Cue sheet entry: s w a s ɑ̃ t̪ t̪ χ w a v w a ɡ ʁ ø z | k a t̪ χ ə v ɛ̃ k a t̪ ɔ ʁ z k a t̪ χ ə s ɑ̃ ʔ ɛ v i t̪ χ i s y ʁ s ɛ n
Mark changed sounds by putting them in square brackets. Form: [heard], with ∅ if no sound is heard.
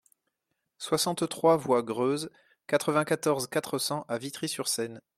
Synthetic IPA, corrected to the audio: s w a s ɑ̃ t̪ t̪ χ w a v w a ɡ ʁ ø z | k a t̪ χ ə v ɛ̃ k a t̪ ɔ ʁ z k a t̪ χ ə s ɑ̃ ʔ [a] v i t̪ χ i s y ʁ s ɛ n